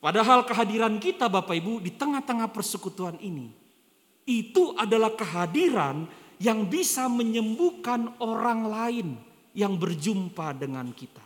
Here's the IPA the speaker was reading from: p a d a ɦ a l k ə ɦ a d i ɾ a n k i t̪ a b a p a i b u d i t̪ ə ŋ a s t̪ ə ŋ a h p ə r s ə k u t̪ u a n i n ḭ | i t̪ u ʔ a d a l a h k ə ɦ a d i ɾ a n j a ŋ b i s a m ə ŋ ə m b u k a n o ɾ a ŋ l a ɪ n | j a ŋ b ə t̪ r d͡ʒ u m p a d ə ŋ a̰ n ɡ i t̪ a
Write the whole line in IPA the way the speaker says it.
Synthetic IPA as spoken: p a d a ɦ a l k ə ɦ a d i ɾ a n k i t̪ a b a p a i b u d i t̪ ə ŋ a h t̪ ə ŋ a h p ə r s ə k u t̪ u a n i n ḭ | i t̪ u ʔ a d a l a h k ə ɦ a d i ɾ a n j a ŋ b i s a m ə ɲ ə m b u k a n o ɾ a ŋ l a ɪ n | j a ŋ b ə r d͡ʒ u m p a d ə ŋ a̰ n k i t̪ a